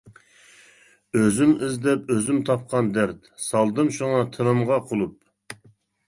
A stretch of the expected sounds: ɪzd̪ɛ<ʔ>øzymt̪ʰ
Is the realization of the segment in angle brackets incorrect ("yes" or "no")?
yes